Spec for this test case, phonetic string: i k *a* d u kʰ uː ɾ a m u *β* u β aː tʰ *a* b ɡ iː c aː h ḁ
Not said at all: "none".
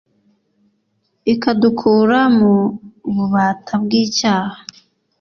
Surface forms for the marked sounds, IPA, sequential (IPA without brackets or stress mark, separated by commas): a, β, a